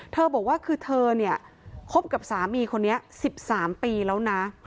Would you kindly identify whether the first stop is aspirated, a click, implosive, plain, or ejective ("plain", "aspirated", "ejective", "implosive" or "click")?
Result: aspirated